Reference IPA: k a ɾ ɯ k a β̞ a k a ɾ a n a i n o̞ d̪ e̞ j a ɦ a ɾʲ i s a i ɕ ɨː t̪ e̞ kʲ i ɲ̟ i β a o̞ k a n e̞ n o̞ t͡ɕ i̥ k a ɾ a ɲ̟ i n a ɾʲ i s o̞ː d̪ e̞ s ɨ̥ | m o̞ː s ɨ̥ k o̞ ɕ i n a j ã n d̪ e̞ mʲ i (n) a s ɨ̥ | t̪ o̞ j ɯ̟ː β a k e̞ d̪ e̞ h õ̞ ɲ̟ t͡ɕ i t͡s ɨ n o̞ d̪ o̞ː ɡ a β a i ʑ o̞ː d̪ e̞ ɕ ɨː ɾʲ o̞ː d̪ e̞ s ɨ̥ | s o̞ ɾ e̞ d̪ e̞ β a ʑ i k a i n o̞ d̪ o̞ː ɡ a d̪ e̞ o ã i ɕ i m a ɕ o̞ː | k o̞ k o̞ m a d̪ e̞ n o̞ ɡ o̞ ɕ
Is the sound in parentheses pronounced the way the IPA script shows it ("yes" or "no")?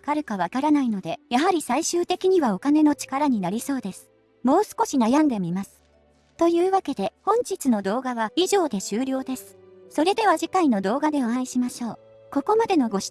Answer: no